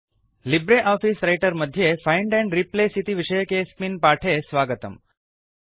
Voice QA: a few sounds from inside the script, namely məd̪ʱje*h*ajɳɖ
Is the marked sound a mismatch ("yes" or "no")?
yes